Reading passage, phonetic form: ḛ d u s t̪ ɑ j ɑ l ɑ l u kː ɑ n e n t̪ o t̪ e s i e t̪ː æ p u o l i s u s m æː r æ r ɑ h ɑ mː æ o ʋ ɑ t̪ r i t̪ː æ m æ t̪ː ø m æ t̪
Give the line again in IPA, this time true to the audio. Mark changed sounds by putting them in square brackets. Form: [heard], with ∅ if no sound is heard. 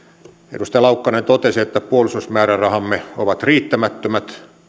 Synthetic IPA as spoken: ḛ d u s t̪ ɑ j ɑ l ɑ [∅] u kː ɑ n e n t̪ o t̪ e s i e t̪ː æ p u o l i s u s m æː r æ r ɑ h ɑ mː [e] o ʋ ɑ t̪ r [iː] t̪ː æ m æ t̪ː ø m æ t̪

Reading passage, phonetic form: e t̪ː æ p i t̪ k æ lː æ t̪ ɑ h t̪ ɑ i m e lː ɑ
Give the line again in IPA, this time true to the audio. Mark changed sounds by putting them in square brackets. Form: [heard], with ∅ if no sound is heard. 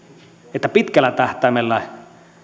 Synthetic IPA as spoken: e t̪ː æ p i t̪ k æ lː æ t̪ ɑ h t̪ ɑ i m e lː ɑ

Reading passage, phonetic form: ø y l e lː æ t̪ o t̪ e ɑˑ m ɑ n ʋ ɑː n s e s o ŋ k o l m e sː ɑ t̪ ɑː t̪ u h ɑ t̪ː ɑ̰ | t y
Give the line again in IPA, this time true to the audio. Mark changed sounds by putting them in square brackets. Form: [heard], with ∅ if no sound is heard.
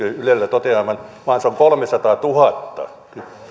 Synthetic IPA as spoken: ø y l e lː æ t̪ o t̪ e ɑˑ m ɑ n ʋ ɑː n s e [∅] o ŋ k o l m e [s] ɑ t̪ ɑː t̪ u h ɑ t̪ː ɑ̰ | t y

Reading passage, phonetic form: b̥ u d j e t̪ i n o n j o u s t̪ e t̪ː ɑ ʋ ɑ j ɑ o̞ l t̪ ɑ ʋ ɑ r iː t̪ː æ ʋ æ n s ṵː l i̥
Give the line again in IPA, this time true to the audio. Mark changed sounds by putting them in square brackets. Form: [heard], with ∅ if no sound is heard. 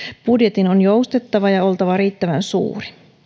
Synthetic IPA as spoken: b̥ u d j e t̪ i n o n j o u s t̪ e t̪ː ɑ ʋ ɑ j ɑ o̞ l t̪ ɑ ʋ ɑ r iː t̪ː æ ʋ æ n s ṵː [r] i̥

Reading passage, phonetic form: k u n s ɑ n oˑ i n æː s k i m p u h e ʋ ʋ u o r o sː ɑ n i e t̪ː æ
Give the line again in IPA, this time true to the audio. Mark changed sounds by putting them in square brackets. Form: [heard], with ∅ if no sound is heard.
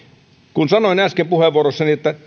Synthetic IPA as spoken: k u n s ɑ n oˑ i n [æ] s k [e] m p u h e ʋ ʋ u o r o sː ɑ n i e t̪ː æ

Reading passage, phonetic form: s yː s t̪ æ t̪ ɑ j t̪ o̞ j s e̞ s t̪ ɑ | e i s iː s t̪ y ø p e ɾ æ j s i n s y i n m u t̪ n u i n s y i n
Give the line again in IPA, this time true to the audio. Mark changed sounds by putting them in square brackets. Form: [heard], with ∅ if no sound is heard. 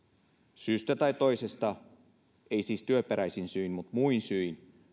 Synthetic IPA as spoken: s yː s t̪ æ t̪ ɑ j t̪ o̞ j s e̞ s t̪ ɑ | e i s iː s t̪ y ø p e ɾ æ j s i n s y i n m u t̪ [m] u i n s y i n

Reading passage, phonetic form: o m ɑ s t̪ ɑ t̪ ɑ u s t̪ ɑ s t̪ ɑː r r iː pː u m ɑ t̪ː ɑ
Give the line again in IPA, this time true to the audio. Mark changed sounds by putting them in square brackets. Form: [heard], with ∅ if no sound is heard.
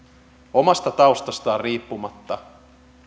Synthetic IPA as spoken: o m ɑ s t̪ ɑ t̪ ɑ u s t̪ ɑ s t̪ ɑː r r iː pː u m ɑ t̪ː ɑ

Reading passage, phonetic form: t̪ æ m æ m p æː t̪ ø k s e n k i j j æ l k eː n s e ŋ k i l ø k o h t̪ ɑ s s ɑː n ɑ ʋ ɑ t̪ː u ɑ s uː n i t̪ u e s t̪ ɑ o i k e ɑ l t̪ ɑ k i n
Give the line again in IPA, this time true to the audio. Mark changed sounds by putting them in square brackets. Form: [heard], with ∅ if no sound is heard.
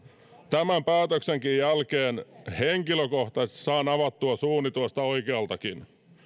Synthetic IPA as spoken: t̪ æ m æ m p æː t̪ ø k s e [ŋ] k i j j æ l k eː n [h] e ŋ k i l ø k o h t̪ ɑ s s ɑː n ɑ ʋ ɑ t̪ː u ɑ s uː n i t̪ u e s t̪ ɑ o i k e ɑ l t̪ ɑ k i n

